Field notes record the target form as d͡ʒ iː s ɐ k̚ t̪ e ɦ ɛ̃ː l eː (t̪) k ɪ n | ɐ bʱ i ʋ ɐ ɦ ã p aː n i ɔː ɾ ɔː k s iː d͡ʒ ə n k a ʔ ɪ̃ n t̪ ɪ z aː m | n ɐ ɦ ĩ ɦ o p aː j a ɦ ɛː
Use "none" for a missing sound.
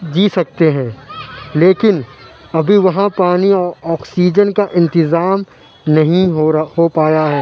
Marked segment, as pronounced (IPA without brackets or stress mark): none